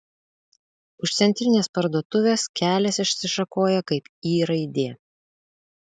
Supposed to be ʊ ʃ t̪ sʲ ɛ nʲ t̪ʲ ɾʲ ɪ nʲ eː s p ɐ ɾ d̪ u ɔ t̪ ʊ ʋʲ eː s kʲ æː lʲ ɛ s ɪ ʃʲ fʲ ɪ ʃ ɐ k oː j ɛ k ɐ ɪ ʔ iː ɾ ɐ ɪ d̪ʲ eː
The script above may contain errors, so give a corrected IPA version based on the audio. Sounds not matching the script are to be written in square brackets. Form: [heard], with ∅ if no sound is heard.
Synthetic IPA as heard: ʊ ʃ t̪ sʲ ɛ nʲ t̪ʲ ɾʲ ɪ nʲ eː s p ɐ ɾ d̪ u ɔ t̪ ʊ ʋʲ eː s kʲ æː lʲ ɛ s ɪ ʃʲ [sʲ] ɪ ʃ ɐ k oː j ɛ k ɐ ɪ [p] iː ɾ ɐ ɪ d̪ʲ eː